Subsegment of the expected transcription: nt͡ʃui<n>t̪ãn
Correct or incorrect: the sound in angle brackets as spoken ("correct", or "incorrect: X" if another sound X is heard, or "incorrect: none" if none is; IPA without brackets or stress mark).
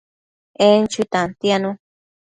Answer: incorrect: none